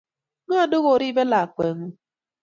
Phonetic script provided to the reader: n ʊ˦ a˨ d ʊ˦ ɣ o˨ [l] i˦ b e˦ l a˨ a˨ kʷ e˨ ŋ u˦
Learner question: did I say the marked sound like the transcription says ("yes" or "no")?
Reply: no